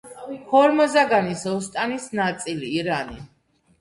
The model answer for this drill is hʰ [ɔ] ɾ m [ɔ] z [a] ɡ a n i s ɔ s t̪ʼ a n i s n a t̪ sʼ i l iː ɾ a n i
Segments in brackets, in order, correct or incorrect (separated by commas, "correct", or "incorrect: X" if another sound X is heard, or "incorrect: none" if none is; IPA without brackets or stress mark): correct, correct, correct